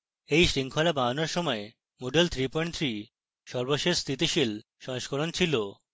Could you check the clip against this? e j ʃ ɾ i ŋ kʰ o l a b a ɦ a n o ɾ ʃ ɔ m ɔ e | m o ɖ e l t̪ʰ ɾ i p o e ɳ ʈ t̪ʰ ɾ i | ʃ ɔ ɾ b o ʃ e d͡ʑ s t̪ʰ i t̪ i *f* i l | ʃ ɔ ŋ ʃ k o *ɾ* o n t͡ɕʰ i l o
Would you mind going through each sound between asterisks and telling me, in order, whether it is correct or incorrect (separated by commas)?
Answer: incorrect, correct